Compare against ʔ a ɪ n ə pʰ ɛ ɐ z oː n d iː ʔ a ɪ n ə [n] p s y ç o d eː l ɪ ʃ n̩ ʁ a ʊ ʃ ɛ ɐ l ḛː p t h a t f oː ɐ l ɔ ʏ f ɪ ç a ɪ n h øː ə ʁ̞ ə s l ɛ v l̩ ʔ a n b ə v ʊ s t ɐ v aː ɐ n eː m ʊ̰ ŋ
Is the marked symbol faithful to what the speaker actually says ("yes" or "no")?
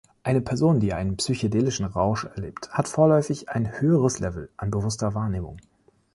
yes